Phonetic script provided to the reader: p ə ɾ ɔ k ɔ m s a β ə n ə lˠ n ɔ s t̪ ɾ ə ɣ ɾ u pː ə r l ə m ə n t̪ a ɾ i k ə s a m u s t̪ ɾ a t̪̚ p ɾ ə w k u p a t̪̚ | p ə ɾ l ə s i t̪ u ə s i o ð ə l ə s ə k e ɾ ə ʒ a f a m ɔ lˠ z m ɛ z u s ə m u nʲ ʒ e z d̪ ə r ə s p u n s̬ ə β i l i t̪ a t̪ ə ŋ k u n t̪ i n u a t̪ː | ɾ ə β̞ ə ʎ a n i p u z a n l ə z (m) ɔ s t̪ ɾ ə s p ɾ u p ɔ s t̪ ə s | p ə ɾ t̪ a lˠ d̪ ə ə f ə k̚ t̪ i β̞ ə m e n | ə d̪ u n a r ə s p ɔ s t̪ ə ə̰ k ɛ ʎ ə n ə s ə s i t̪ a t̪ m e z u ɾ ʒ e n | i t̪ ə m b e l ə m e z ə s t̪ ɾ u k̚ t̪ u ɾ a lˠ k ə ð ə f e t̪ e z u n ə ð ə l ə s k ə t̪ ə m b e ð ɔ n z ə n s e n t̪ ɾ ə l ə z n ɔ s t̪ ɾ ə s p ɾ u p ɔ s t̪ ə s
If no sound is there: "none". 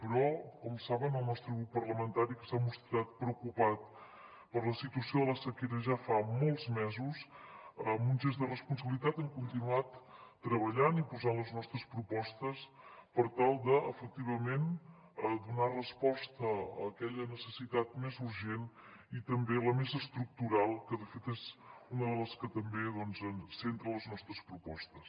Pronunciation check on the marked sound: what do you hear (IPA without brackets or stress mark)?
n